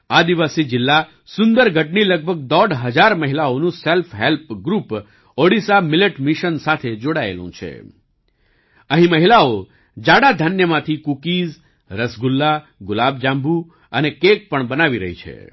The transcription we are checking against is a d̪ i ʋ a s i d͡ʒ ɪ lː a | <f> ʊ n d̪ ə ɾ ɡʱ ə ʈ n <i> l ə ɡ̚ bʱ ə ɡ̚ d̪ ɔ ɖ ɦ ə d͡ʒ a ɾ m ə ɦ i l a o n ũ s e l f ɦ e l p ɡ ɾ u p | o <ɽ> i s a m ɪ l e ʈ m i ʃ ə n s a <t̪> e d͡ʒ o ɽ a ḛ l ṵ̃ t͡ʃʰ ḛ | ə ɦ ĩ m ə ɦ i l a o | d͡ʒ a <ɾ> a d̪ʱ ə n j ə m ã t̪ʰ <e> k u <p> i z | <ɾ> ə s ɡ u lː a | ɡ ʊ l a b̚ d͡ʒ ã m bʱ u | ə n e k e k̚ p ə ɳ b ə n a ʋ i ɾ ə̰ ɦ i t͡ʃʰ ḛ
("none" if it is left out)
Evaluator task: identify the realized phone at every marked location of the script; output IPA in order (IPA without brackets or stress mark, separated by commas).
s, i, ɽ, t̪ʰ, ɽ, i, k, ɾ